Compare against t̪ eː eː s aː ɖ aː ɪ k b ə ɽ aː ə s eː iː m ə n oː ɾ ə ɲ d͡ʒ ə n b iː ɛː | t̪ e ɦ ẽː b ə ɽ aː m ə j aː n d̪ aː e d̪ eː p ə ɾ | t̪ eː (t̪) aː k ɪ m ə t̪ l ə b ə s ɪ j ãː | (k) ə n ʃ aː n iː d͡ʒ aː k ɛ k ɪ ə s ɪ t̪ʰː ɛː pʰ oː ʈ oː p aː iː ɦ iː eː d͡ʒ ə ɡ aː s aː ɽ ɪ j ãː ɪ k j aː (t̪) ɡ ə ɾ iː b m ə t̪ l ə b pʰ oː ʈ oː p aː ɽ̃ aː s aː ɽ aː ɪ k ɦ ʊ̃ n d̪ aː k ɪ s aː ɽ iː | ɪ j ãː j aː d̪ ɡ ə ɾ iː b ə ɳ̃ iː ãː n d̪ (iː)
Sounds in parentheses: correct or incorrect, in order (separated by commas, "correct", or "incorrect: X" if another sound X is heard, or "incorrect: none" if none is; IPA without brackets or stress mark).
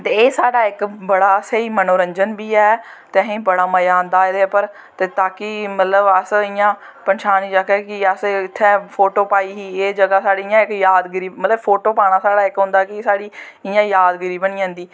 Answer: correct, incorrect: p, incorrect: d̪, correct